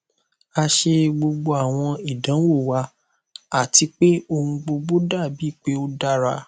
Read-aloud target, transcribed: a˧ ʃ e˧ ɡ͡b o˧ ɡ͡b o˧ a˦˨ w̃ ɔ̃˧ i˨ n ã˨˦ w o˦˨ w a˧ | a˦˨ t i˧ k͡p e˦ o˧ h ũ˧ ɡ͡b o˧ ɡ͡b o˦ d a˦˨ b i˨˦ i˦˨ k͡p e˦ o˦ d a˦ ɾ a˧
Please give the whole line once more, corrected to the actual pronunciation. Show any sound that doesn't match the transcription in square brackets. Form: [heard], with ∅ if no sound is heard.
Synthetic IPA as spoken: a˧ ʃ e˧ ɡ͡b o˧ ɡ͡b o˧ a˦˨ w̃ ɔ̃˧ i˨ [d] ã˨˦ w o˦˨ w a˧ | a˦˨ t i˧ k͡p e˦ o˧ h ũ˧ ɡ͡b o˧ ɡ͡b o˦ d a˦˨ b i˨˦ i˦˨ k͡p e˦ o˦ d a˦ ɾ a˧